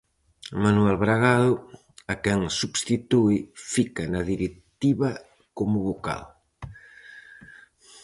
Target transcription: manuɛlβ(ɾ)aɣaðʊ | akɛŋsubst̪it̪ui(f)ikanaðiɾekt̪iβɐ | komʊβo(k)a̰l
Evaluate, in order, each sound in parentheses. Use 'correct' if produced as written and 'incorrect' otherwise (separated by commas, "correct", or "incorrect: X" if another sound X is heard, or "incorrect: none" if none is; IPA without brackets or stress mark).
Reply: correct, correct, correct